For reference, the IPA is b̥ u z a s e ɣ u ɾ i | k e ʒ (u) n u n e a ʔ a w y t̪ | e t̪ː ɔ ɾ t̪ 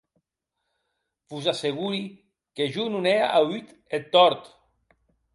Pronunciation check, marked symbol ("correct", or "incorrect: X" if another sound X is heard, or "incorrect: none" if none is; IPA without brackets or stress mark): correct